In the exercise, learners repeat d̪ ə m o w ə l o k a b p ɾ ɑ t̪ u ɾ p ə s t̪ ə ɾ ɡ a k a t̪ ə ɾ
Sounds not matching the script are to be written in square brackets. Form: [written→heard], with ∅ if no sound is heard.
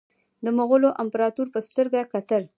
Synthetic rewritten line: d̪ ə m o [w→ɣ] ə l o [k→ʔ] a [b→m] p ɾ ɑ t̪ u ɾ p ə s t̪ ə ɾ ɡ a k a t̪ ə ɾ